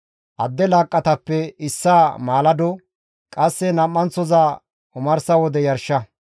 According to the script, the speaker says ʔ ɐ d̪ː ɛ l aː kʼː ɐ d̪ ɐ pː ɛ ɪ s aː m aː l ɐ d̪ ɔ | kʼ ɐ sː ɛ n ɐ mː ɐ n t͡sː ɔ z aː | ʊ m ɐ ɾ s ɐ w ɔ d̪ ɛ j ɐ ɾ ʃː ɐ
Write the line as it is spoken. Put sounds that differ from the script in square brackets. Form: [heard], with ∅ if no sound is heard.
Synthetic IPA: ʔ ɐ d̪ː ɛ l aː kʼː ɐ [t̪] ɐ pː ɛ ɪ [sː] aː m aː l ɐ d̪ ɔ | kʼ ɐ sː ɛ n ɐ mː ɐ n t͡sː ɔ z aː | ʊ m ɐ ɾ s ɐ w ɔ d̪ ɛ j ɐ ɾ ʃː ɐ

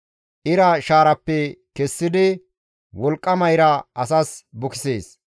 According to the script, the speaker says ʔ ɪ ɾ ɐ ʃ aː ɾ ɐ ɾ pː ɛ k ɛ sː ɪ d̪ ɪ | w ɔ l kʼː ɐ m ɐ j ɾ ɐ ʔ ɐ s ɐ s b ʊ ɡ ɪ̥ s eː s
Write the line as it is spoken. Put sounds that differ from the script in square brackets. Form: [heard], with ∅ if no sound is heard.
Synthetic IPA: ʔ ɪ ɾ ɐ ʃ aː ɾ ɐ [∅] pː ɛ k ɛ sː ɪ d̪ ɪ | w ɔ l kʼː ɐ m ɐ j ɾ ɐ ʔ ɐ s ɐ s b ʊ [k] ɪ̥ s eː s

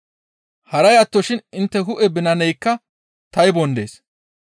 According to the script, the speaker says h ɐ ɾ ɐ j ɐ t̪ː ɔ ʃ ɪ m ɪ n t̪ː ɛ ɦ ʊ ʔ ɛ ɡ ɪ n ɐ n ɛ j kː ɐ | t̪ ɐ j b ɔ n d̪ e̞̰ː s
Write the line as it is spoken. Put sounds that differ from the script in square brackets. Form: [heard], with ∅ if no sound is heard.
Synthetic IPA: h ɐ ɾ ɐ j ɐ t̪ː ɔ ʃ ɪ [n] ɪ n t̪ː ɛ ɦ ʊ ʔ ɛ [b] ɪ n ɐ n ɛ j kː ɐ | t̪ ɐ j b ɔ n d̪ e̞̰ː s

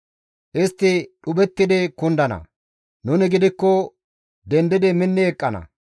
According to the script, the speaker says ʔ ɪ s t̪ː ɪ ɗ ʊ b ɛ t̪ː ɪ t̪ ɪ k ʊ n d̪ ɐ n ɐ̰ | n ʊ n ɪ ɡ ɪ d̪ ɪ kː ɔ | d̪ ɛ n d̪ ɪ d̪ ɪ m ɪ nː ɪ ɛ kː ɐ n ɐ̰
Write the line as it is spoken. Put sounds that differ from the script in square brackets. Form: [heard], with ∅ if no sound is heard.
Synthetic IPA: ʔ ɪ s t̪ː ɪ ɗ ʊ b ɛ t̪ː ɪ [d̪] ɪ k ʊ n d̪ ɐ n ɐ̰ | n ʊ n ɪ ɡ ɪ d̪ ɪ kː ɔ | d̪ ɛ n d̪ ɪ d̪ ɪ m ɪ nː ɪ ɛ [kʼː] ɐ n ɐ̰

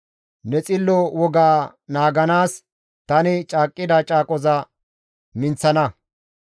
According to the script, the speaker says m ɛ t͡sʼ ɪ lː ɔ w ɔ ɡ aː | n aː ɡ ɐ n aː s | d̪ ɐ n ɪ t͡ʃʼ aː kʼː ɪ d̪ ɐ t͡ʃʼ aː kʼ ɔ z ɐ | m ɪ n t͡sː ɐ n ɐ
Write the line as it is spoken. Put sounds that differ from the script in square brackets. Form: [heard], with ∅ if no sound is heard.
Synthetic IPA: [n] ɛ t͡sʼ ɪ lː ɔ w ɔ ɡ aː | n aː ɡ ɐ n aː s | [t̪] ɐ n ɪ t͡ʃʼ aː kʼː ɪ d̪ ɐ t͡ʃʼ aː kʼ ɔ z ɐ | m ɪ n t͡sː ɐ n ɐ

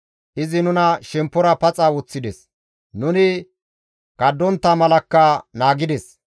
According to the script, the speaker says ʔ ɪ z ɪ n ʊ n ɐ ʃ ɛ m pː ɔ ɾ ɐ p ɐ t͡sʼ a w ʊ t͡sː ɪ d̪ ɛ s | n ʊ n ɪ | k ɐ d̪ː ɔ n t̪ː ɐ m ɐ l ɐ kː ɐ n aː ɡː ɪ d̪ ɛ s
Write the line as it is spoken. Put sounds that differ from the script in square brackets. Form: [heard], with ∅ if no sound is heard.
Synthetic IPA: ʔ ɪ z ɪ n ʊ n ɐ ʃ ɛ m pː ɔ ɾ ɐ p ɐ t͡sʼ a w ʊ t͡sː ɪ d̪ ɛ s | n ʊ n ɪ | k ɐ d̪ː ɔ n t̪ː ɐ m ɐ l ɐ kː ɐ n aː [ɡ] ɪ d̪ ɛ s

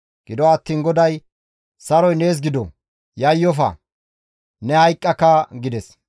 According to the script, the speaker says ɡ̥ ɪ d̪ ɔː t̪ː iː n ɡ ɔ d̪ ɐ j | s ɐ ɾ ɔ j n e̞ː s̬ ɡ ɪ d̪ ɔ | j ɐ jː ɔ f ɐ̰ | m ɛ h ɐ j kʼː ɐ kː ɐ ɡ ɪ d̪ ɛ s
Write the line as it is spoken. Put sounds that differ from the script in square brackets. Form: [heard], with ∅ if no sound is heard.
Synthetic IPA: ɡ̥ ɪ d̪ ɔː t̪ː iː n ɡ ɔ d̪ ɐ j | s ɐ ɾ ɔ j n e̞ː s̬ ɡ ɪ d̪ ɔ | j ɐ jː ɔ f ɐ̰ | [n] ɛ h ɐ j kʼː ɐ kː ɐ ɡ ɪ d̪ ɛ s

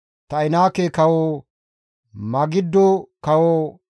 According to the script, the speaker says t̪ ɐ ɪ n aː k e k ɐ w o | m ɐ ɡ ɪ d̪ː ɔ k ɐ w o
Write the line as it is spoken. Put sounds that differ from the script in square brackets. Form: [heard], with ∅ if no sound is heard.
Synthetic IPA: t̪ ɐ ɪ n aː k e k ɐ w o | m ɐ ɡ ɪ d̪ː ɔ k ɐ w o

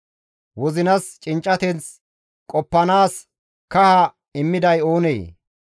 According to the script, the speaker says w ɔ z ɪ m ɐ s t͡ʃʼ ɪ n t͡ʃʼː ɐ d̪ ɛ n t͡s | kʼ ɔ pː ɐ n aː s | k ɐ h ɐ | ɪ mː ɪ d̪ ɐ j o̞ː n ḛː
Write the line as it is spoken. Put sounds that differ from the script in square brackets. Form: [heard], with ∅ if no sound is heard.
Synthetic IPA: w ɔ z ɪ [n] ɐ s t͡ʃʼ ɪ n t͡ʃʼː ɐ [t̪] ɛ n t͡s | kʼ ɔ pː ɐ n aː s | k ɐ h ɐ | ɪ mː ɪ d̪ ɐ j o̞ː n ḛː

